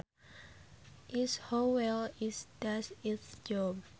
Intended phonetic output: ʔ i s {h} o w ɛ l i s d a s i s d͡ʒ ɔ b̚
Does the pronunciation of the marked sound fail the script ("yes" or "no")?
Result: no